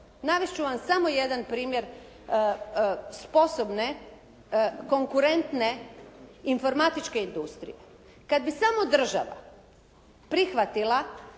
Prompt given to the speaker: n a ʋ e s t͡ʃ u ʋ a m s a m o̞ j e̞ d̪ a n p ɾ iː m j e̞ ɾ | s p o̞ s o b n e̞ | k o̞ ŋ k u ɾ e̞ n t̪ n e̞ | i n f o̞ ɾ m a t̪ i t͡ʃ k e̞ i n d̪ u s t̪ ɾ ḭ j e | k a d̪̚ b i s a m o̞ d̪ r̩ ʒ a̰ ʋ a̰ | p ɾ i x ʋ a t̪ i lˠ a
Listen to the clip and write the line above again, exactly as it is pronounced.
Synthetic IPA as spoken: n a ʋ e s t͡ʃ u ʋ a m s a m o̞ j e̞ d̪ a n p ɾ iː m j e̞ ɾ | s p o̞ s o b n e̞ | k o̞ ŋ k u ɾ e̞ n t̪ n e̞ | i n f o̞ ɾ m a t̪ i t͡ʃ k e̞ i n d̪ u s t̪ ɾ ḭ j e | k a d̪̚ b i s a m o̞ d̪ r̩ ʒ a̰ ʋ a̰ | p ɾ i x ʋ a t̪ i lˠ a